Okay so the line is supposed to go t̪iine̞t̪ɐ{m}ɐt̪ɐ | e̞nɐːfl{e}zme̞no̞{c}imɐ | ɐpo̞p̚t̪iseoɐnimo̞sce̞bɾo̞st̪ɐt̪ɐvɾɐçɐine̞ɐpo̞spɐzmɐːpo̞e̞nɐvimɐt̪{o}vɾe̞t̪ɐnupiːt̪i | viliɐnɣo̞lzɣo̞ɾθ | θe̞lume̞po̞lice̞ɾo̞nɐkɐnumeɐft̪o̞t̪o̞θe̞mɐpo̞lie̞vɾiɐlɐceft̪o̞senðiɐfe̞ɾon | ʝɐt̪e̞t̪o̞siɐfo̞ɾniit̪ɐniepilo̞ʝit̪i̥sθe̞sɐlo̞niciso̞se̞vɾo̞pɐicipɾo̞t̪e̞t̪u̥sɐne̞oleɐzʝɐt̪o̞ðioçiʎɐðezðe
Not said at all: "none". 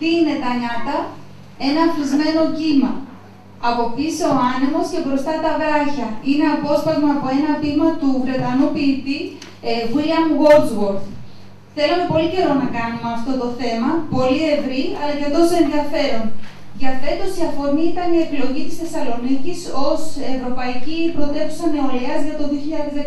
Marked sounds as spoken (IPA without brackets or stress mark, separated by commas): ɲ, i, c, u